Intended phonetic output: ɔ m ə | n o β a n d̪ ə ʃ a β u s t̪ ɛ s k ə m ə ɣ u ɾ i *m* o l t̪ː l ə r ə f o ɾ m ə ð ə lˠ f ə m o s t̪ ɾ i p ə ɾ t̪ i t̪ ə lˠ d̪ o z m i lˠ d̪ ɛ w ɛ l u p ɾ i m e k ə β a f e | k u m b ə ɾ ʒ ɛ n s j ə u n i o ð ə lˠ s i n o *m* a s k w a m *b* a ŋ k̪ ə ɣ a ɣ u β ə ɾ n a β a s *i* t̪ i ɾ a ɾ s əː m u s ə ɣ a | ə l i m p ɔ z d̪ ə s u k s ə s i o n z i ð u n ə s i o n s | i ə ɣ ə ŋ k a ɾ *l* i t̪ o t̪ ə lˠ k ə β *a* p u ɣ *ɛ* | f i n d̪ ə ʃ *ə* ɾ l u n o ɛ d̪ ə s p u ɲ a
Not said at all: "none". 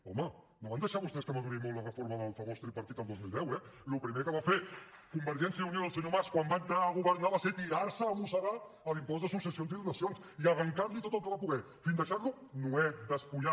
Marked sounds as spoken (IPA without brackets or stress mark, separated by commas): m, m, b, e, l, a, ɛ, a